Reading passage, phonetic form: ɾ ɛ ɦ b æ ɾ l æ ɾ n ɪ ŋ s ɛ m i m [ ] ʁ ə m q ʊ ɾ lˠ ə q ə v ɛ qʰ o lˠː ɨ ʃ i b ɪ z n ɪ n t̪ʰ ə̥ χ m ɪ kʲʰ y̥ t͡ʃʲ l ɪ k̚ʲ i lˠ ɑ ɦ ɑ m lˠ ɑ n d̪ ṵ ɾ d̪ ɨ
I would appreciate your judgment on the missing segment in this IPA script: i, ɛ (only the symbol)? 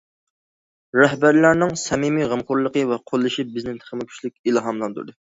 i